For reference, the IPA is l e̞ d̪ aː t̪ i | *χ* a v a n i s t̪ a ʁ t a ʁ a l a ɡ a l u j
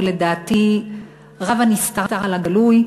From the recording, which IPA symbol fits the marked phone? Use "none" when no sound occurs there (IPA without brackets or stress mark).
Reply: ʁ